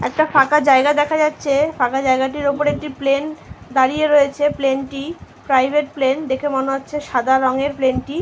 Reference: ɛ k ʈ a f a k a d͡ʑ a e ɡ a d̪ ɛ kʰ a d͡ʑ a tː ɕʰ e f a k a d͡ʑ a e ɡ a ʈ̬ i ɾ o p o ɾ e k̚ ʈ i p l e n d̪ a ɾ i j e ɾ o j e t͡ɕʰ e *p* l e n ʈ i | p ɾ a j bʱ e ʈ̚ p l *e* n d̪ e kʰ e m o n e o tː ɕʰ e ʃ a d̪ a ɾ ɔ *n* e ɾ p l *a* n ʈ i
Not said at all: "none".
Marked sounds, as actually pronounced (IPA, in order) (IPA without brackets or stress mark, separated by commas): p, e, ŋ, e